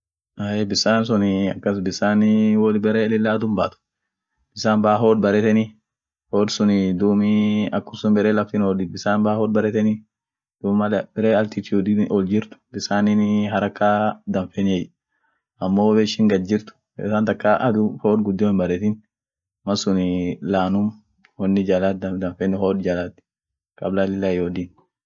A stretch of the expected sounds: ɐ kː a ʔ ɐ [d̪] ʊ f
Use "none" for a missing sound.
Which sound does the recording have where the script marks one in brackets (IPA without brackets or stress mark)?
d̪